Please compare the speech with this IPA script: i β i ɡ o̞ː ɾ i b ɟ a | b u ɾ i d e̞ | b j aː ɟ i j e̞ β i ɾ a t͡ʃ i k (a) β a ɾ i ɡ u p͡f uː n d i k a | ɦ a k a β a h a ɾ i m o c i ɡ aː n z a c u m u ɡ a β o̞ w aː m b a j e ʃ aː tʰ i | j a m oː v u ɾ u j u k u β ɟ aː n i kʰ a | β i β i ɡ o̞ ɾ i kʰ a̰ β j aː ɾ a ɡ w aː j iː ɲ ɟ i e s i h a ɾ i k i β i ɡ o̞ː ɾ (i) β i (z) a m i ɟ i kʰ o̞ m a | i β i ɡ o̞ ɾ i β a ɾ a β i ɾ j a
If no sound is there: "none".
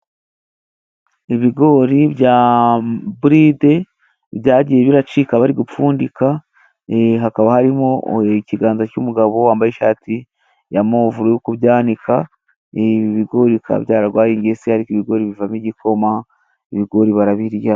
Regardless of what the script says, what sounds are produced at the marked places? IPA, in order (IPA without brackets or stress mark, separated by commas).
a, i, v